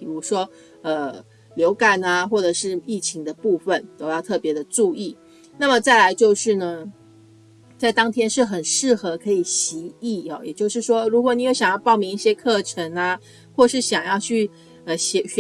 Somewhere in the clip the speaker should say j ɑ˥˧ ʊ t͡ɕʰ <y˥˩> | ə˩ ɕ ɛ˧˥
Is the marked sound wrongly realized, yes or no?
no